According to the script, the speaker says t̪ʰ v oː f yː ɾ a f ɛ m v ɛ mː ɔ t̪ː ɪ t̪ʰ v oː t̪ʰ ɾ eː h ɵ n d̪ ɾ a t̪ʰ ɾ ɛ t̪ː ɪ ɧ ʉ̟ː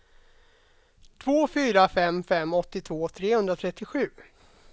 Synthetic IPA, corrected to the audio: t̪ʰ v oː f yː ɾ a f ɛ m f ɛ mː ɔ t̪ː ɪ t̪ʰ v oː t̪ʰ ɾ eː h ɵ n d̪ ɾ a t̪ʰ ɾ ɛ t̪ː ɪ ɧ ʉ̟ː